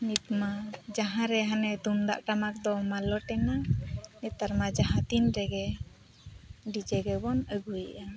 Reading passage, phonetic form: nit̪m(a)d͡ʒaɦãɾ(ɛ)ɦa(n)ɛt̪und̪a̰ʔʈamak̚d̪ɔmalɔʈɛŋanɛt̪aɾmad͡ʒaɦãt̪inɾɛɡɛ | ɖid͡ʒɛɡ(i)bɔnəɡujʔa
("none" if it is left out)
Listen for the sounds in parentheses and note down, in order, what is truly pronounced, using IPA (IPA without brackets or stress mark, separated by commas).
a, ɛ, n, ɛ